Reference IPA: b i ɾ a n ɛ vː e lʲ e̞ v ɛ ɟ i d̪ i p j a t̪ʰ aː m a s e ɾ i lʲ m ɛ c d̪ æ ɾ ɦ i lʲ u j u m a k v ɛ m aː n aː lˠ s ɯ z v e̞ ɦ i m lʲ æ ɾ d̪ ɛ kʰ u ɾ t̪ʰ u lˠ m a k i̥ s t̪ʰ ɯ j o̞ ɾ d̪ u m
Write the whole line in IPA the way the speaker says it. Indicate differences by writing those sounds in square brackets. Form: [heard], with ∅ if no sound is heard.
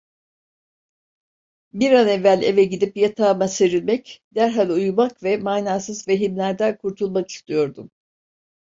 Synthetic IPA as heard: b i ɾ a n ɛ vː [æ] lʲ e̞ v ɛ ɟ i d̪ i p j a t̪ʰ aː m a s e ɾ i lʲ m ɛ c d̪ æ ɾ ɦ [a] lʲ u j u m a k v ɛ m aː n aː [∅] s ɯ z v e̞ ɦ i m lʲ æ ɾ d̪ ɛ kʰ u ɾ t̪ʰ u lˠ m a k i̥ s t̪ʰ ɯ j o̞ ɾ d̪ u m